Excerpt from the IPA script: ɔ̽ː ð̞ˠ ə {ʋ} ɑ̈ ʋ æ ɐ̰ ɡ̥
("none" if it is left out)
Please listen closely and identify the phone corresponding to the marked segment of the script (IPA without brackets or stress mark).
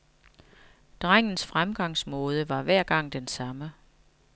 ʋ